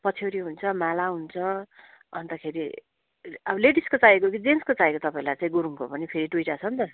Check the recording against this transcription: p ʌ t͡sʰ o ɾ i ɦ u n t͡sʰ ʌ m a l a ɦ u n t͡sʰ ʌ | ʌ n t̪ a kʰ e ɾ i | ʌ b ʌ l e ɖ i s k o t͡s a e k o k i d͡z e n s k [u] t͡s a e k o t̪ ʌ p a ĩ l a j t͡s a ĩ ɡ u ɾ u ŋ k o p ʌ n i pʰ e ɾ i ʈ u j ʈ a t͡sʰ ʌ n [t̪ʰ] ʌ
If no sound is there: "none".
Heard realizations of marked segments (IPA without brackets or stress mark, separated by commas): o, t̪